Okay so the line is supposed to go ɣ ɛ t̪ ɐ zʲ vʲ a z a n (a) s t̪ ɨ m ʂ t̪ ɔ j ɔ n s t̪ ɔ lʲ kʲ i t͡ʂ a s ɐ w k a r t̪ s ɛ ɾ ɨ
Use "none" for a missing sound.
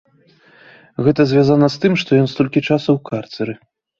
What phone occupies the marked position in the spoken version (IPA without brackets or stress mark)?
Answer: ɐ